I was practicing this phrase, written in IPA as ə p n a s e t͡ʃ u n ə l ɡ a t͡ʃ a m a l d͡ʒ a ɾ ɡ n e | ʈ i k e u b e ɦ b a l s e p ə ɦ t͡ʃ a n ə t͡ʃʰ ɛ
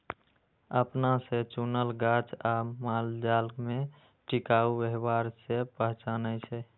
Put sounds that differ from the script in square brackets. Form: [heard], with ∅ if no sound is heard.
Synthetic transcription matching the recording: ə p n a s e t͡ʃ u n ə l ɡ a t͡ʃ a m a l d͡ʒ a [l] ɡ [m] e | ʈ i k [a] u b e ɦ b a [ɾ] s e p ə ɦ t͡ʃ a n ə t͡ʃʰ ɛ